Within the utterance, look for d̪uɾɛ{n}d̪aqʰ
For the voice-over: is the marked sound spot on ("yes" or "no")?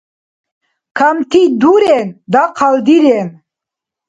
yes